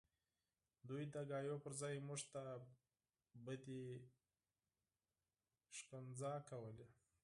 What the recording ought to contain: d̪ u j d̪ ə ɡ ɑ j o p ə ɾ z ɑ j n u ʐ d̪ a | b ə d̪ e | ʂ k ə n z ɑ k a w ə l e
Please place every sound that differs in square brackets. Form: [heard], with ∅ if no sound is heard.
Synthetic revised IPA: d̪ u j d̪ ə ɡ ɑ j o p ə ɾ z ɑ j [m] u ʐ [t̪] a | b ə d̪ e | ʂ k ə n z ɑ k a w ə l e

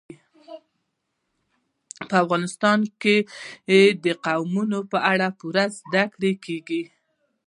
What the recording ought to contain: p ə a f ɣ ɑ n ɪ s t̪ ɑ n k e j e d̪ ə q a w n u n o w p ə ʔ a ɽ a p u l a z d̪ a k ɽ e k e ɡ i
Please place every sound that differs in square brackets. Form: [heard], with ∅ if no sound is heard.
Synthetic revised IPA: p ə a f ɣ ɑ n ɪ s t̪ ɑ n k e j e d̪ ə q a w [m] u n o [∅] p ə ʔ a ɽ a p u [ɾ] a z d̪ a k ɽ e k e ɡ i

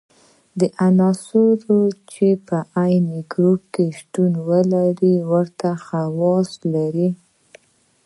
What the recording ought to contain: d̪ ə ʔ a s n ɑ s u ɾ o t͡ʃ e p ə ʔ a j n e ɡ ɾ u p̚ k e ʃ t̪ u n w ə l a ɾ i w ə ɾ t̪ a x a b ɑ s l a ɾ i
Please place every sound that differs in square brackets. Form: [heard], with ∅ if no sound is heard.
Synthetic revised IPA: d̪ ə ʔ a [∅] n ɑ s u ɾ o t͡ʃ e p ə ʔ a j n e ɡ ɾ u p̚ k e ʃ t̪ u n w ə l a ɾ i w ə ɾ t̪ a x a [w] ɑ s l a ɾ i

